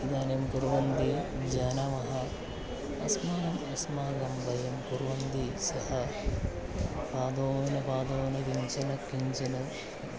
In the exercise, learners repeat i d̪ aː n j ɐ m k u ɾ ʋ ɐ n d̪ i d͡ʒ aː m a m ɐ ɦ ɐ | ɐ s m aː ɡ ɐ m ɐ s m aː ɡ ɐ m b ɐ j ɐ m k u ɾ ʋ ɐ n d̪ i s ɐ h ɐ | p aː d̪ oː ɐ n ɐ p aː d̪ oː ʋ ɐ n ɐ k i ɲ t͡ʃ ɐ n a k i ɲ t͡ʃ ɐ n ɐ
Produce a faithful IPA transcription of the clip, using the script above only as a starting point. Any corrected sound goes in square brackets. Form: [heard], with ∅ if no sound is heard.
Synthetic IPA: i d̪ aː n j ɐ m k u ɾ ʋ ɐ n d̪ i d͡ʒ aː [n] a m ɐ ɦ ɐ | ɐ s m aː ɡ ɐ m ɐ s m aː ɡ ɐ m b ɐ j ɐ m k u ɾ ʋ ɐ n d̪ i s ɐ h ɐ | p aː d̪ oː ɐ n ɐ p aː d̪ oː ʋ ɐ n ɐ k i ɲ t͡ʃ ɐ n [ɐ] k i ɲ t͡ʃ ɐ n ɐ